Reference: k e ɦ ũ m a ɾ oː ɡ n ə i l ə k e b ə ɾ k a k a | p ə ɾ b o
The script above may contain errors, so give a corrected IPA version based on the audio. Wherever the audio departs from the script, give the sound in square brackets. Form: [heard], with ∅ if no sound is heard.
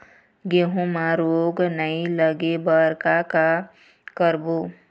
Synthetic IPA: [ɡ] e ɦ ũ m a ɾ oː ɡ n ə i l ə [ɡ] e b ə ɾ k a k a | [k] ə ɾ b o

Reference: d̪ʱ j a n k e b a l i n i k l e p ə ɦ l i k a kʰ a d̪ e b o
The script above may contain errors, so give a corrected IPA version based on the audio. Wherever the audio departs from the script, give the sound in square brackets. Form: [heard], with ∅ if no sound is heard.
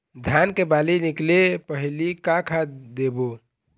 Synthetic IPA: d̪ʱ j a n k e b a l i n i k l e p ə ɦ l i k a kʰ a d̪ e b o

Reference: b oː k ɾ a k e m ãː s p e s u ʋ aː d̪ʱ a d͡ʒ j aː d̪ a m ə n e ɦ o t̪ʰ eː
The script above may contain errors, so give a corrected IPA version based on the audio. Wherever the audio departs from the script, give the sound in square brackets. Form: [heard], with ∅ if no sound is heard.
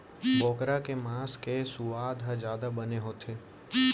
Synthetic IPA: b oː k ɾ a k e m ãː s [k] e s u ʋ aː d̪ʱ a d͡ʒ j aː d̪ a [b] ə n e ɦ o t̪ʰ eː

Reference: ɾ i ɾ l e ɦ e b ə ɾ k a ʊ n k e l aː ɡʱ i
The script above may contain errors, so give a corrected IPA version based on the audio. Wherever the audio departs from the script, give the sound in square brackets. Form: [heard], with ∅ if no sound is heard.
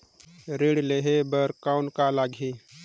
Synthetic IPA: ɾ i [ɽ] l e ɦ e b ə ɾ k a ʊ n k [a] l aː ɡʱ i

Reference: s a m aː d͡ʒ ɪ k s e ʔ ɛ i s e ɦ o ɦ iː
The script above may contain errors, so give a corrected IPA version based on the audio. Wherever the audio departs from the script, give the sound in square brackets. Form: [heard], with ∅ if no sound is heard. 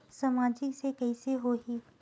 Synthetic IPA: s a m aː d͡ʒ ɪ k s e [k] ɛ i s e ɦ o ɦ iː

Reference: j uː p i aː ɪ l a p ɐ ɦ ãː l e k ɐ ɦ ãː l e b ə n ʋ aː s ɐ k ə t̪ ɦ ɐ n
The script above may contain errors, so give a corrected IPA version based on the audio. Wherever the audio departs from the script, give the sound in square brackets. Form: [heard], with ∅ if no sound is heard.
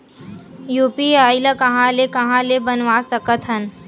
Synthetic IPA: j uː p i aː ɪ l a [k] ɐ ɦ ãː l e k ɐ ɦ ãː l e b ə n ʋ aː s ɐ k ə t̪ ɦ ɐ n

